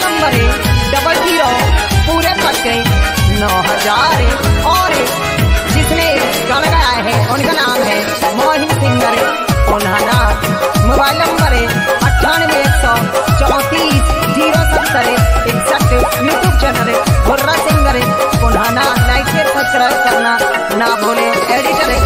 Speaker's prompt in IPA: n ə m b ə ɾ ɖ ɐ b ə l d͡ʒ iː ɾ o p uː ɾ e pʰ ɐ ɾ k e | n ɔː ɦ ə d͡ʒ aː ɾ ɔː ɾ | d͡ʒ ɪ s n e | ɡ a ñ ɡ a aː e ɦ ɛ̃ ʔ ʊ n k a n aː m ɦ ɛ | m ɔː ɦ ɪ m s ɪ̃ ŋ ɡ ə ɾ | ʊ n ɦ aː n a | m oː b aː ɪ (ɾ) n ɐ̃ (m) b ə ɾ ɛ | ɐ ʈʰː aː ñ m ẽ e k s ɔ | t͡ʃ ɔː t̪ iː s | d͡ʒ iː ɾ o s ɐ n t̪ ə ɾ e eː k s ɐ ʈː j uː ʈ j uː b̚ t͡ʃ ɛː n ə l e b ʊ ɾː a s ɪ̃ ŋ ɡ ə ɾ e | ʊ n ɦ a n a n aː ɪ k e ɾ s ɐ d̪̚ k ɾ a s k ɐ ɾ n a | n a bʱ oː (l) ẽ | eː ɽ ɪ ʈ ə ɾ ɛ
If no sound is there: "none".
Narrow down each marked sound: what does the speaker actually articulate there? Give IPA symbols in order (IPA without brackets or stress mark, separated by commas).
l, m, l